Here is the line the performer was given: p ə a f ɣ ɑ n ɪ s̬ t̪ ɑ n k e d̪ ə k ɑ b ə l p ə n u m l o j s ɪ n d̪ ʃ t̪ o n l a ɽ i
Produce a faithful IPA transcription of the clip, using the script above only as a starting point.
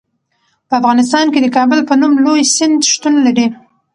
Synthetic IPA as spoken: p ə a f ɣ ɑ n ɪ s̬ t̪ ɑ n k e d̪ ə k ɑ b ə l p ə n u m l o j s ɪ n d̪ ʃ t̪ u n l a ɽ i